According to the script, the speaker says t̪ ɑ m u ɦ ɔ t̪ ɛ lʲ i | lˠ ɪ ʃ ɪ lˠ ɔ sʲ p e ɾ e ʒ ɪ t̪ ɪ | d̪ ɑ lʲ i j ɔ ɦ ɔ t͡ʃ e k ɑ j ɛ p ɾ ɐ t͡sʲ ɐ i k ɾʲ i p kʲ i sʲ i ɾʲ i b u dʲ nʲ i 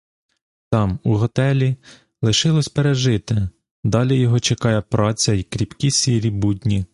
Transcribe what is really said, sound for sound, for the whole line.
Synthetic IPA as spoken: t̪ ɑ m u ɦ ɔ t̪ ɛ lʲ i | lˠ ɪ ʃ ɪ lˠ ɔ sʲ p e ɾ e ʒ ɪ t̪ ɪ | d̪ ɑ lʲ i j ɔ ɦ ɔ t͡ʃ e k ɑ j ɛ p ɾ ɑ t͡sʲ ɐ i k ɾʲ i p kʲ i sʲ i ɾʲ i b u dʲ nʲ i